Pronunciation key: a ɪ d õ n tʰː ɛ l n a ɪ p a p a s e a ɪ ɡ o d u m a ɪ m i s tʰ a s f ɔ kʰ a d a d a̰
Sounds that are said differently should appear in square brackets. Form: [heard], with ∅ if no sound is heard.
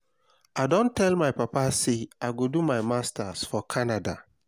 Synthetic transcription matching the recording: a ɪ d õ n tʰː ɛ l [m] a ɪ p a p a s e a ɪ ɡ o d u m a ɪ m [a] s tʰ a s f ɔ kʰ a [n] a d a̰